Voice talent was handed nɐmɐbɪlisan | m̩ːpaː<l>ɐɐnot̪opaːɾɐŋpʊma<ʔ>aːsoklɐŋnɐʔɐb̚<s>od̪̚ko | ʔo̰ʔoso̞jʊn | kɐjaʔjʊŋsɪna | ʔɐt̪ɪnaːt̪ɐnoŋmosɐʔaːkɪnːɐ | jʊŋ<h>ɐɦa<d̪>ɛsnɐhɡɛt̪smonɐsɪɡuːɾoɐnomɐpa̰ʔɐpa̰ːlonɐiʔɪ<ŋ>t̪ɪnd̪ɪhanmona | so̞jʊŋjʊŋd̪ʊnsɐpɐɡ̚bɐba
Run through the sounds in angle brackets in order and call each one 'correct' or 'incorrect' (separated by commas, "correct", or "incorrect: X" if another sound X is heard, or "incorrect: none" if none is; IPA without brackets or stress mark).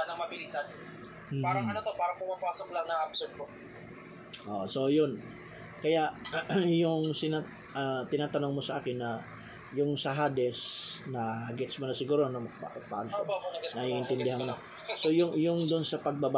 incorrect: ɾ, incorrect: p, correct, incorrect: s, correct, incorrect: n